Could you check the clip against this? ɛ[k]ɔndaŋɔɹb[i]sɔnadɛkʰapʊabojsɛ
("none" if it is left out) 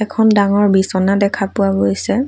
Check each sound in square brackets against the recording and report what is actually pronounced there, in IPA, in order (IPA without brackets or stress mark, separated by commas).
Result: kʰ, i